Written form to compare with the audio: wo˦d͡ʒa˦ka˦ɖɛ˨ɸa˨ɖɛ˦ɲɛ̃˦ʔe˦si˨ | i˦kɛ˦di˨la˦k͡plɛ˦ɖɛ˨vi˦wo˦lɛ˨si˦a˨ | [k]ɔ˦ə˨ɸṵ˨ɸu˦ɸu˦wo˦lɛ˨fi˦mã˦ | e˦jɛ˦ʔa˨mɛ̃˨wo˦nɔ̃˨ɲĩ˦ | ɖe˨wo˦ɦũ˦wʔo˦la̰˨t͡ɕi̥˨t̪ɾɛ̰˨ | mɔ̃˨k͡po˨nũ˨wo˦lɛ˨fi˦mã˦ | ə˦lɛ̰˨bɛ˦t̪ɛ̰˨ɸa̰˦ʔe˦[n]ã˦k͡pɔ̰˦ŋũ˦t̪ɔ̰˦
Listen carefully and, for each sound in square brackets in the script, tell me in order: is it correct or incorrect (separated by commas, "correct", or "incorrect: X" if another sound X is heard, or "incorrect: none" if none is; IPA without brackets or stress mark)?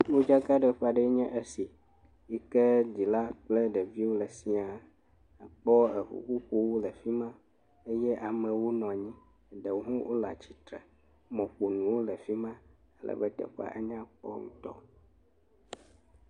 incorrect: k͡p, incorrect: ɲ